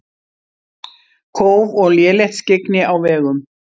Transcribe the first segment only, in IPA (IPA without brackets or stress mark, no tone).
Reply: kʰ